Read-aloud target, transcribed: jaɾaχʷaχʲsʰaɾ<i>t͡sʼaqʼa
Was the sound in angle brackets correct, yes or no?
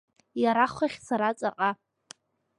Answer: no